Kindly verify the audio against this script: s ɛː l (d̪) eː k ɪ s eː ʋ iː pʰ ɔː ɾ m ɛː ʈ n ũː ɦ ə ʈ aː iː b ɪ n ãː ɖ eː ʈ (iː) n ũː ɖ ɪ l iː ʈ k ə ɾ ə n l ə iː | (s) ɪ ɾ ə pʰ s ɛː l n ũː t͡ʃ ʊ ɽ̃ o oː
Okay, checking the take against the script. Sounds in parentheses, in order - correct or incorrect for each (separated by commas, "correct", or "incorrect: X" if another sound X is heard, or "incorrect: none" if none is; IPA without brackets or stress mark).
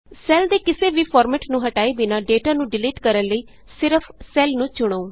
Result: correct, incorrect: aː, correct